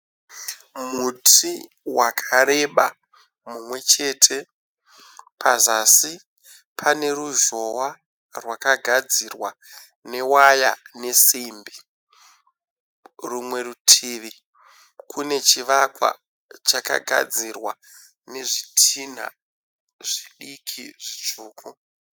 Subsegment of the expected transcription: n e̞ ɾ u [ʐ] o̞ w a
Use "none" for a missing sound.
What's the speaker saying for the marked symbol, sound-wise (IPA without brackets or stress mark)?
ʒ